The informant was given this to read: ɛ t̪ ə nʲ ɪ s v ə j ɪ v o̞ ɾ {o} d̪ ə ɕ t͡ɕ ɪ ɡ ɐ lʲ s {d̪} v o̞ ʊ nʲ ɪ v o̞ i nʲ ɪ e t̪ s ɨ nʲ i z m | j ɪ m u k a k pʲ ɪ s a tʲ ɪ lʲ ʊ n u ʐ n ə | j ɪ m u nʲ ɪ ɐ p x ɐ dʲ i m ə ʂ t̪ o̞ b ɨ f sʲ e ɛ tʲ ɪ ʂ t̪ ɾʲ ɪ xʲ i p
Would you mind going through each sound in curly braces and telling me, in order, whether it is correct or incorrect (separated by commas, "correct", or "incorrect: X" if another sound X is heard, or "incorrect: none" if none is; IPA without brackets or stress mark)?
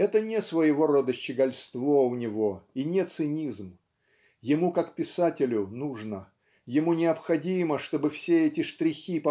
correct, incorrect: t̪